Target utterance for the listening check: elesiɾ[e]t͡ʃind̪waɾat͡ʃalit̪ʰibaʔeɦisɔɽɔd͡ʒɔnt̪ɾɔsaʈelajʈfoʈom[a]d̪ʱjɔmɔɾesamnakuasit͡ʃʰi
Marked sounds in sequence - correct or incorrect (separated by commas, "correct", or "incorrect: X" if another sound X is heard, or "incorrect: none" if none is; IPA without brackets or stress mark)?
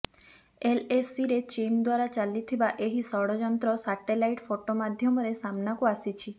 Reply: correct, correct